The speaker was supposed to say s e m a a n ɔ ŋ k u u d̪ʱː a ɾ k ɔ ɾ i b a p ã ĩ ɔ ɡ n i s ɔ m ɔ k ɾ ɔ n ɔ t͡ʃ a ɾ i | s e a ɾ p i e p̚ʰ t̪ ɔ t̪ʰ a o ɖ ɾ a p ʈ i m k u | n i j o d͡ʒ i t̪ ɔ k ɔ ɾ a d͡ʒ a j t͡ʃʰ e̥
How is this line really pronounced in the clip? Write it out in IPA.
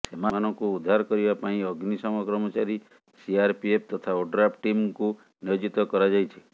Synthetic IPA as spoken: s e m a a n ɔ ŋ k u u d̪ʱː a ɾ k ɔ ɾ i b a p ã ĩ ɔ ɡ n i s ɔ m ɔ k ɾ ɔ m ɔ t͡ʃ a ɾ i | s i a ɾ p i e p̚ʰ t̪ ɔ t̪ʰ a o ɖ ɾ a p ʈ i m k u | n i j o d͡ʒ i t̪ ɔ k ɔ ɾ a d͡ʒ a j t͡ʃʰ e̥